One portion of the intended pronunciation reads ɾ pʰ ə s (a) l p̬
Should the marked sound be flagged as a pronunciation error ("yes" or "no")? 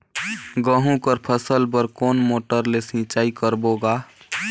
yes